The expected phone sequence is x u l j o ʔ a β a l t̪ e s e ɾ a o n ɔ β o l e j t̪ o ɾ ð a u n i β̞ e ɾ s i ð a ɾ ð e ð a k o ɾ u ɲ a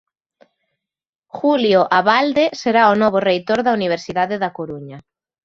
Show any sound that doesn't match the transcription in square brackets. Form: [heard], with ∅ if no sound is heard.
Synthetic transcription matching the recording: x u l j o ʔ a β a l [d̪] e s e ɾ a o n ɔ β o [r] e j t̪ o ɾ ð a u n i β̞ e ɾ s i ð a [∅] ð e ð a k o ɾ u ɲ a